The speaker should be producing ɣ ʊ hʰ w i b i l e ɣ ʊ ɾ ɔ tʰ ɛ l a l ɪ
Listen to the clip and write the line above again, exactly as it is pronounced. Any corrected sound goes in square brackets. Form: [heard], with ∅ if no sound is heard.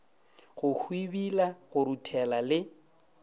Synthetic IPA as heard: ɣ ʊ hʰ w i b i l [a] ɣ ʊ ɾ [u] tʰ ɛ l a l ɪ